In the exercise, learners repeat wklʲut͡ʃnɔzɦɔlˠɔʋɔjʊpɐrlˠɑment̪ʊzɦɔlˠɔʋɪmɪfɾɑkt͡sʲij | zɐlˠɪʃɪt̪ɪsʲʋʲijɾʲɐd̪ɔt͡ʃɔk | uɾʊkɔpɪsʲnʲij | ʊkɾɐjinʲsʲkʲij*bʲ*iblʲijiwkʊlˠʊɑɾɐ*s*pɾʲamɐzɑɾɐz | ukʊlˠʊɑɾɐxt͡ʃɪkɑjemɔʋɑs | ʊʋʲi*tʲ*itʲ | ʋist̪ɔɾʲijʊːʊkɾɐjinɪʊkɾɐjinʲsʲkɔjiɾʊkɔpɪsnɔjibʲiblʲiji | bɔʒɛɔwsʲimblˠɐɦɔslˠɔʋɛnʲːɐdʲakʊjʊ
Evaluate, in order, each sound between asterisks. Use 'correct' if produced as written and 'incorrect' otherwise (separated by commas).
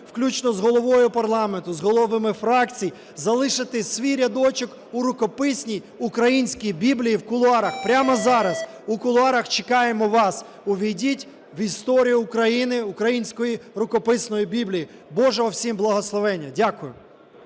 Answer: correct, incorrect, incorrect